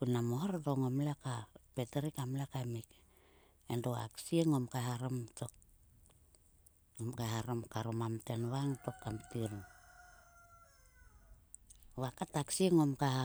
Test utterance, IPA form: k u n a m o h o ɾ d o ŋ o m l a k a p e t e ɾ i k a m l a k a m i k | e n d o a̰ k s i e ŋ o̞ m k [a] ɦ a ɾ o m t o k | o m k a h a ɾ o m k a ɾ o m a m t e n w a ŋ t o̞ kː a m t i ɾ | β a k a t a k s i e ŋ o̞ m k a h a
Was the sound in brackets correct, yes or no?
yes